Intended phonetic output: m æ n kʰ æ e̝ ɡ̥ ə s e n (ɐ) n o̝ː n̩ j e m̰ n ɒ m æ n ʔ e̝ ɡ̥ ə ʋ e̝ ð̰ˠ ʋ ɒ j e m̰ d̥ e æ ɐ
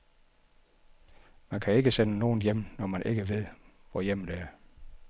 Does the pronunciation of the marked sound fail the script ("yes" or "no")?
yes